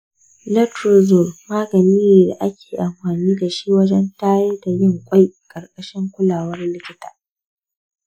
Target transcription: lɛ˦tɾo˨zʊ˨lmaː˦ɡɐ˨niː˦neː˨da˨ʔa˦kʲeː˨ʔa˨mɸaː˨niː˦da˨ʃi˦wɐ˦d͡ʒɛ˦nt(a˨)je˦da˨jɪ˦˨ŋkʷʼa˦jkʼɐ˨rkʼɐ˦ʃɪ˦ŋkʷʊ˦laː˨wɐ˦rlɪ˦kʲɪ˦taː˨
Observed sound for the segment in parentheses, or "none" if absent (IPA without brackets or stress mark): a˦